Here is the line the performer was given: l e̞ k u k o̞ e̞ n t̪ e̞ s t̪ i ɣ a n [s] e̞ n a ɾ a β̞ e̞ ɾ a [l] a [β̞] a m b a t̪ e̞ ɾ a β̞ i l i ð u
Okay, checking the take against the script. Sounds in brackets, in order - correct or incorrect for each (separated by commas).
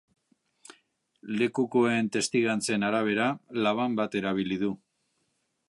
incorrect, correct, correct